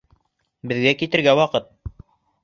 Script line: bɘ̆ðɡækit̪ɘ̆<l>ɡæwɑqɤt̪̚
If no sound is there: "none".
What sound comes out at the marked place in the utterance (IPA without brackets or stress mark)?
ɾ